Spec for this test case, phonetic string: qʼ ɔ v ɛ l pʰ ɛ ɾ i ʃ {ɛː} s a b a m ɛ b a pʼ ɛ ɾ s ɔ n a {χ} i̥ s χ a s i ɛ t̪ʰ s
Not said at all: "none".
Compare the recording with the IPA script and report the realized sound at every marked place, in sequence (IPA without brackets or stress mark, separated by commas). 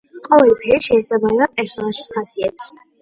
ɛː, ʃ